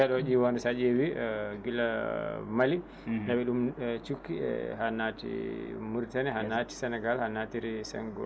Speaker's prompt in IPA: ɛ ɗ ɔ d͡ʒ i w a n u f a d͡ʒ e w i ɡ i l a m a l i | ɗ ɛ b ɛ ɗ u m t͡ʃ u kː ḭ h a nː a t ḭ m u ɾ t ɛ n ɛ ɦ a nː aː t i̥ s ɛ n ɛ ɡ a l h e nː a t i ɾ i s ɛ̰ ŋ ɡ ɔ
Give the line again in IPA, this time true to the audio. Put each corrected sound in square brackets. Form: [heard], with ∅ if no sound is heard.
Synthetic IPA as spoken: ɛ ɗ ɔ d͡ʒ i w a n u [s] a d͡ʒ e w i ɡ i l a m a l i | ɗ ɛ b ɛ ɗ u m t͡ʃ u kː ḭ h a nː a t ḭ m u ɾ t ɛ n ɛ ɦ a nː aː t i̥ s ɛ n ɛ ɡ a l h [a] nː a t i ɾ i s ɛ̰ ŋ ɡ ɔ